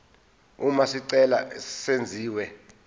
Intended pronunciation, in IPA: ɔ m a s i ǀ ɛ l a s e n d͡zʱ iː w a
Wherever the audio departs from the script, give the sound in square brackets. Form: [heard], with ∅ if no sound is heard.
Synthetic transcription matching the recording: [u] m a s i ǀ ɛ l a s e n d͡zʱ iː w [ɛ]